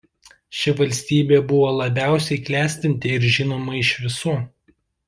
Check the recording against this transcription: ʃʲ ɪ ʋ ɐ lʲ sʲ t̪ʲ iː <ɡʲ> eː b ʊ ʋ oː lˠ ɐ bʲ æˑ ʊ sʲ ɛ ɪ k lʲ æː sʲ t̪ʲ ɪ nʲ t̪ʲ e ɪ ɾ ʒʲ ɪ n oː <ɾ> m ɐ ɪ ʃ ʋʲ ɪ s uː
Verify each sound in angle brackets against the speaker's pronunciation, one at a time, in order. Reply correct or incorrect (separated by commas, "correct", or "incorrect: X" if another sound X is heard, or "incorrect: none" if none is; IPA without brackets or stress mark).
incorrect: bʲ, incorrect: none